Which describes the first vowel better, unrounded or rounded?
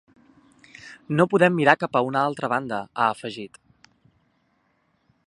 rounded